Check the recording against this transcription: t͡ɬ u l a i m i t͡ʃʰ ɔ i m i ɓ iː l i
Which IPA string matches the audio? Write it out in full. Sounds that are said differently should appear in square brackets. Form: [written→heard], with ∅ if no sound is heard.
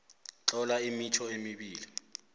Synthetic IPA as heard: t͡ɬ [u→ɔ] l a i m i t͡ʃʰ ɔ [i→e] m i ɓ iː l i